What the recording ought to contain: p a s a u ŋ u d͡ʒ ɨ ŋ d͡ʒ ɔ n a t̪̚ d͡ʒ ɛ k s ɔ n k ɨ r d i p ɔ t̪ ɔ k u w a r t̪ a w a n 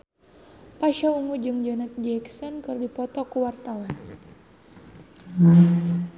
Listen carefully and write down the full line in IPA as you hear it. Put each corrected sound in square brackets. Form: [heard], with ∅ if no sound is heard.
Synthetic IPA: p a [ʃ] a u ŋ u d͡ʒ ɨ ŋ d͡ʒ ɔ n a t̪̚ d͡ʒ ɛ k s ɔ n k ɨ r d i p ɔ t̪ ɔ k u w a r t̪ a w a n